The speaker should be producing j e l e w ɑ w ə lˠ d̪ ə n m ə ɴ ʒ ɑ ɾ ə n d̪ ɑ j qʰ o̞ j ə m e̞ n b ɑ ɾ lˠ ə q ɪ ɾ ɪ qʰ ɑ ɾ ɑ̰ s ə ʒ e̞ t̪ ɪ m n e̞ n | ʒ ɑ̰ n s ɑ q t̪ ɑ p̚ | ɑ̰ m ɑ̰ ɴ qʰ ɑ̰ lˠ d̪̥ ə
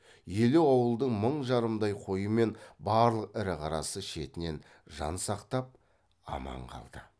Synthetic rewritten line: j e l e w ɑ w ə lˠ d̪ ə ɴ m ə ɴ ʒ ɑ ɾ ə m d̪ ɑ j qʰ o̞ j ə m e̞ n b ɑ ɾ lˠ ə q ɪ ɾ ɪ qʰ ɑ ɾ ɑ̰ s ə ʃ e̞ t̪ ɪ n e̞ n | ʒ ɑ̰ n s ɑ q t̪ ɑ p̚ | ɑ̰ m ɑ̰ ɴ qʰ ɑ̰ lˠ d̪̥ ə